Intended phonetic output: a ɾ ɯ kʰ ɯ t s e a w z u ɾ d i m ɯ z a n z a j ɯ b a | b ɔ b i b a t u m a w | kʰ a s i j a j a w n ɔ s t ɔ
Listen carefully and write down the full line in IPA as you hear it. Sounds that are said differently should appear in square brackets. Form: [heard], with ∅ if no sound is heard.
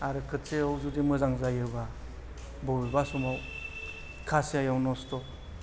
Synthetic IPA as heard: a ɾ ɯ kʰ ɯ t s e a w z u [∅] d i m ɯ z a [ŋ] z a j ɯ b a | b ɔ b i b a [s] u m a w | kʰ a s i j a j a w n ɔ s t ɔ